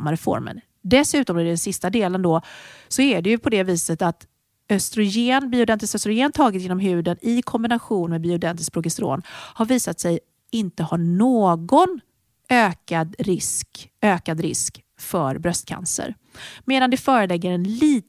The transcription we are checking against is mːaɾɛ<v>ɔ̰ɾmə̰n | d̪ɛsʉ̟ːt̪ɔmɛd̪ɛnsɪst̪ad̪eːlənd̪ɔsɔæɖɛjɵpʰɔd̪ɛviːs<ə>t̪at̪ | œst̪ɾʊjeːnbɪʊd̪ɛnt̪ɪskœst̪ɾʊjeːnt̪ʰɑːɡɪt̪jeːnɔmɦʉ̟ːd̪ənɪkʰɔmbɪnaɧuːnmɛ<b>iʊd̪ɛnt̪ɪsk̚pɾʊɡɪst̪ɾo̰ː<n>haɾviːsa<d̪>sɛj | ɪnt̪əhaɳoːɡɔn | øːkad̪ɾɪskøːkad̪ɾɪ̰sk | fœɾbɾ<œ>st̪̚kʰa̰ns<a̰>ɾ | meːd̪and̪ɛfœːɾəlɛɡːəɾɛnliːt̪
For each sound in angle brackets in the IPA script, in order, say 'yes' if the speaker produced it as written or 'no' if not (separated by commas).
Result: no, yes, yes, yes, no, yes, no